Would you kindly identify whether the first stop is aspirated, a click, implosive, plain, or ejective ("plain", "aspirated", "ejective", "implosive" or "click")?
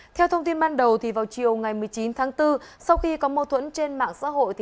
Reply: aspirated